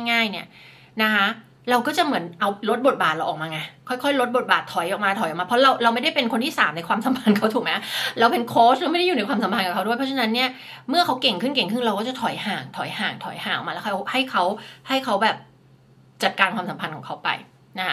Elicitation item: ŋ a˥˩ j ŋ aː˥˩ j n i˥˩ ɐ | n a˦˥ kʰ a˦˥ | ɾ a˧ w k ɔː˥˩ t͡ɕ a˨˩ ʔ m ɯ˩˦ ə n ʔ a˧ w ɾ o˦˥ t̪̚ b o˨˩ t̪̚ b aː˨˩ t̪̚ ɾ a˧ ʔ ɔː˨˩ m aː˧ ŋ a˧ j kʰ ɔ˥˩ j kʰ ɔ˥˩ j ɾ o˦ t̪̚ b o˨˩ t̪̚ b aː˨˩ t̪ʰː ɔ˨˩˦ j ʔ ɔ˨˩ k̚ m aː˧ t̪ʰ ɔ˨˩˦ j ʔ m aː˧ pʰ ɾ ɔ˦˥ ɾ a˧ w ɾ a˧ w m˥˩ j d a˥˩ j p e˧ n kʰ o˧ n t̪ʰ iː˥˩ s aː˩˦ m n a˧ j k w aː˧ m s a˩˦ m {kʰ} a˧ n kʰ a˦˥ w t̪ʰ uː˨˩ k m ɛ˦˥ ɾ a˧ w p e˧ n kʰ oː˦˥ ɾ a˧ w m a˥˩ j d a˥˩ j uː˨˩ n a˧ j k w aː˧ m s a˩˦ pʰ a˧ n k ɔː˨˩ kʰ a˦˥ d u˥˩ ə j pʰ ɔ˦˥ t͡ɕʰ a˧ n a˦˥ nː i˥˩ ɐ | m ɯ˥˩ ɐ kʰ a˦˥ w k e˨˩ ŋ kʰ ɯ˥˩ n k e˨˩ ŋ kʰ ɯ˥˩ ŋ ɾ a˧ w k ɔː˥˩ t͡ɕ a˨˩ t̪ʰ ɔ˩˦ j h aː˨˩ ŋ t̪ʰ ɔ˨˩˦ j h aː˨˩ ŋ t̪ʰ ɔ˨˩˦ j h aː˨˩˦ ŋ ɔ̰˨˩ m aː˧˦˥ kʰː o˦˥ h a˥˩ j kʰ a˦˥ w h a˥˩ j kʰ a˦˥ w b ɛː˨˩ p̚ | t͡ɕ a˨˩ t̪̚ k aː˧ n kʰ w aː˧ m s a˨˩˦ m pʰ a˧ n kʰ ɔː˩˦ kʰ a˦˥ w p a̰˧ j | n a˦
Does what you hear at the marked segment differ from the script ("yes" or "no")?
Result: yes